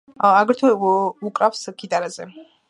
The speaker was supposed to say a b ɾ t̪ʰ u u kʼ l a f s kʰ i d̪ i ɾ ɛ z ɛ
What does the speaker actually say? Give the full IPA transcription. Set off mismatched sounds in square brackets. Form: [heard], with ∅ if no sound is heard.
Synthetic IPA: a [ɡ] ɾ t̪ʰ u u kʼ [ɾ] a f s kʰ i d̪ [a] ɾ [a] z ɛ